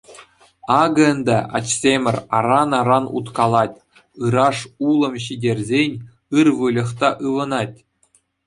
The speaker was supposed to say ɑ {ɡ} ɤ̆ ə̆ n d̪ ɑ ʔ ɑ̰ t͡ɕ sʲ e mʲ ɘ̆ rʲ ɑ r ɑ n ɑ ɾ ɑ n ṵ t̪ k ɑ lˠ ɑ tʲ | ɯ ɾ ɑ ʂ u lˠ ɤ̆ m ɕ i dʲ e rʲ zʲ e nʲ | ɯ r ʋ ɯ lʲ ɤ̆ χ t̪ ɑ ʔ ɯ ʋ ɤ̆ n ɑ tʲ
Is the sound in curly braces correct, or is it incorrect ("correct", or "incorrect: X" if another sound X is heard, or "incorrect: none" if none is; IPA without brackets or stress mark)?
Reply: correct